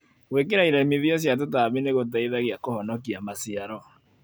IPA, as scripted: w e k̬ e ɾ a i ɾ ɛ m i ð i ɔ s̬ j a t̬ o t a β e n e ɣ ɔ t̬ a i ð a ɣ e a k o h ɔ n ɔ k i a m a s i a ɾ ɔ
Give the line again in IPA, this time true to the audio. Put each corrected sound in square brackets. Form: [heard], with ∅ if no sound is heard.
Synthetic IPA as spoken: w e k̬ e ɾ a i ɾ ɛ m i ð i ɔ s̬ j a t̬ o t a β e n e ɣ [o] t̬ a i ð a ɣ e a k o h ɔ n ɔ k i a m a s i a ɾ ɔ